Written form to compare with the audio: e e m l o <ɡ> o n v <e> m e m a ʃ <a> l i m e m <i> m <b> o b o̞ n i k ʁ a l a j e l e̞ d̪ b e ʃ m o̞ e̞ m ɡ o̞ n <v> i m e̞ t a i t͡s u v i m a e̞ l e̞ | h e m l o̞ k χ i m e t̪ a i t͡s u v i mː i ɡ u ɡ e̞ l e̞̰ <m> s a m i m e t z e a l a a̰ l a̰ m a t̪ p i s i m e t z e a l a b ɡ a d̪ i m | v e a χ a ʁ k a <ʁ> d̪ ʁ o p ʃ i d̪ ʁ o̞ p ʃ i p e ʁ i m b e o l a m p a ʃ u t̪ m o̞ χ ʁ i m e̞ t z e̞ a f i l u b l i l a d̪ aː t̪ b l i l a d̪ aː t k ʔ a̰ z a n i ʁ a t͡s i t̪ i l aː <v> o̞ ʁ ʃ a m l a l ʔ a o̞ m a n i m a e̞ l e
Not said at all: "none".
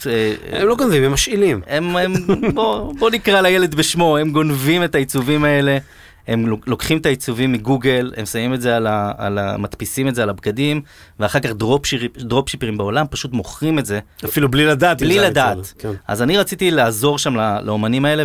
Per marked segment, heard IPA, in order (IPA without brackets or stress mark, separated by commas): ɡ, i, i, e, b, v, m, χ, z